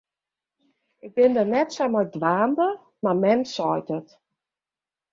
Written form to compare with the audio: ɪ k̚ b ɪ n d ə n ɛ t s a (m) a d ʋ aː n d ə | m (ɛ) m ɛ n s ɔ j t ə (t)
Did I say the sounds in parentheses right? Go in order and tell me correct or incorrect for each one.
correct, incorrect: a, correct

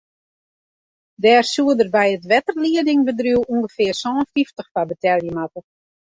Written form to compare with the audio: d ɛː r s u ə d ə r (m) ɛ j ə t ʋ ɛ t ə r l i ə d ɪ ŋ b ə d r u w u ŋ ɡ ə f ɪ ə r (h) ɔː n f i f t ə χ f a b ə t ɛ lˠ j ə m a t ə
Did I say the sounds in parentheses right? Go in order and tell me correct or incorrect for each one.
incorrect: b, incorrect: s

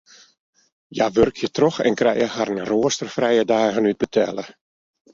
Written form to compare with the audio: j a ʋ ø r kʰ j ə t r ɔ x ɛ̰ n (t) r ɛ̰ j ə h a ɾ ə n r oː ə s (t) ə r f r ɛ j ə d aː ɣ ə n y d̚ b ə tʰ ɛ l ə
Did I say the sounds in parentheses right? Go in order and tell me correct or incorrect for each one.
incorrect: k, correct

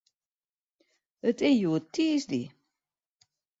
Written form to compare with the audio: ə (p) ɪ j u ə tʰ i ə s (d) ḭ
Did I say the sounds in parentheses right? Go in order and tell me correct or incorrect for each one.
incorrect: t, correct

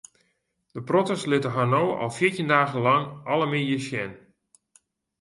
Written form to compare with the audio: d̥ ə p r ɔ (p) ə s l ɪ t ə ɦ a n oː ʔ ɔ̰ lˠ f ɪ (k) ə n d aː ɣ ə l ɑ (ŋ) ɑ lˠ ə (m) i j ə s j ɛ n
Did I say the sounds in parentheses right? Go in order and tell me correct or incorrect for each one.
incorrect: t, incorrect: t, correct, correct

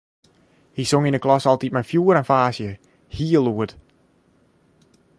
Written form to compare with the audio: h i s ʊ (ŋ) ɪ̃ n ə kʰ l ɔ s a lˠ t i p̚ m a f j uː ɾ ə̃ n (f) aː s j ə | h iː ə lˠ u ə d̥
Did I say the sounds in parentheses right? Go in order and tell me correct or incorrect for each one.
correct, correct

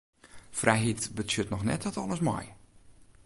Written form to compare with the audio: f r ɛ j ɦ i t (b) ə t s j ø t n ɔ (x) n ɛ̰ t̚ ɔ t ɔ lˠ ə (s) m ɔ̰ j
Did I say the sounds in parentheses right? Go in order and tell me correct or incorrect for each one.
correct, correct, correct

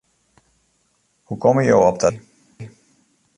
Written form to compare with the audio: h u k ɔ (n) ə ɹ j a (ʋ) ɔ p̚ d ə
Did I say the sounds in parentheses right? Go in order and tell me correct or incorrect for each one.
incorrect: m, incorrect: w

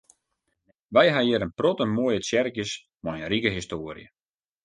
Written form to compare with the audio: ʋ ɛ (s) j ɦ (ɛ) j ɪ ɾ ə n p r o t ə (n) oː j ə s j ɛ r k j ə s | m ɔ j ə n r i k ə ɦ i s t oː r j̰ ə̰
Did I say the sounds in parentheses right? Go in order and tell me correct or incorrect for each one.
incorrect: none, incorrect: a, incorrect: m

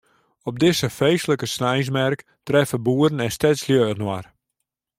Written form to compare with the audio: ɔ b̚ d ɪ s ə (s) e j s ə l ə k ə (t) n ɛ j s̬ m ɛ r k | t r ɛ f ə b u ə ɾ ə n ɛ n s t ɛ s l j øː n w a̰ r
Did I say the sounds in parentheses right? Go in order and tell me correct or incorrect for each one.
incorrect: f, incorrect: s

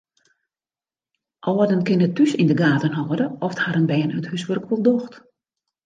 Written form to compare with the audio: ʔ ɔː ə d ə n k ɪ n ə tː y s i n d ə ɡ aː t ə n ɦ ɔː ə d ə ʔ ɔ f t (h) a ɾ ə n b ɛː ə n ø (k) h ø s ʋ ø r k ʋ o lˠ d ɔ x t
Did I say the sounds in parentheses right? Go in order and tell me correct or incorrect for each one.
correct, incorrect: t

